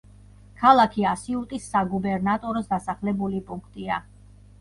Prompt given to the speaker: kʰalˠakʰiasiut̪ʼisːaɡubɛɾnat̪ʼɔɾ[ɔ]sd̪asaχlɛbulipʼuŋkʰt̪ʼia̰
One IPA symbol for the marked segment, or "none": ɔ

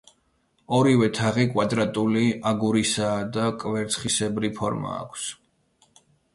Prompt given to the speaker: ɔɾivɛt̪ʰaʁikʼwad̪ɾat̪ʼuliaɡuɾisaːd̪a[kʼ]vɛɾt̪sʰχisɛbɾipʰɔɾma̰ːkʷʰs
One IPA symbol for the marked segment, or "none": kʼ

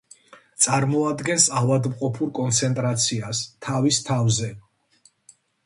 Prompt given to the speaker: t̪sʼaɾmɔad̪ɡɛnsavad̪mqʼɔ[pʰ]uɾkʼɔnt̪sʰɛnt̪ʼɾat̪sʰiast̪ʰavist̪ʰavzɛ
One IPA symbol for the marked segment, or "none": pʰ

